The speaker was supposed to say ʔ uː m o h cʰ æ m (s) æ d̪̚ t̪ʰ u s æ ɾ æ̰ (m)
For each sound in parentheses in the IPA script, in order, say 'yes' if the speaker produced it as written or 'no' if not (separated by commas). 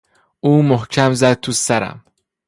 no, yes